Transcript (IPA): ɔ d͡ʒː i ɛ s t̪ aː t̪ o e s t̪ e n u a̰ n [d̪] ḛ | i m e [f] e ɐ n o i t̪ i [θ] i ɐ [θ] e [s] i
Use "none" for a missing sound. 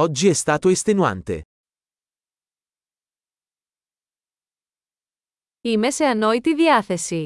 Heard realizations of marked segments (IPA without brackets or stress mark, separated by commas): t̪, s, ð, θ, s